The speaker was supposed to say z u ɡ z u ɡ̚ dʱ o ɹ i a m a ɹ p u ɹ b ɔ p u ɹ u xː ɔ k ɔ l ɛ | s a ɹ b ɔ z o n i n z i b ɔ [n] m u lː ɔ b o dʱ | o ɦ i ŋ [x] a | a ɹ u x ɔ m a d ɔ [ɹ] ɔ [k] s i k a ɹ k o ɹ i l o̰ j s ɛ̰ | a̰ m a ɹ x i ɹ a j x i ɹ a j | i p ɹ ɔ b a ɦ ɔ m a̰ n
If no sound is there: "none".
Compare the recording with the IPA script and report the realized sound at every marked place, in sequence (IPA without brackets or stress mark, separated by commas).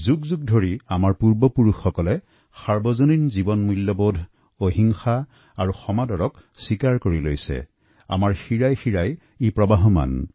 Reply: n, x, ɹ, k